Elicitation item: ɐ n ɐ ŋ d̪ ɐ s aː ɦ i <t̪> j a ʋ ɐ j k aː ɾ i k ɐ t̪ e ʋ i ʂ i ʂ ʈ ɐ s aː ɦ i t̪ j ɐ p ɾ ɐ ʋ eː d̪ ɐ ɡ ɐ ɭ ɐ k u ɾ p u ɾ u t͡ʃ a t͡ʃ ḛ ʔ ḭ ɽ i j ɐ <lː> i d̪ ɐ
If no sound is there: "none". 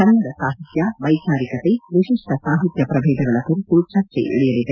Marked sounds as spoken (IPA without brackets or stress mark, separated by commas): t̪, l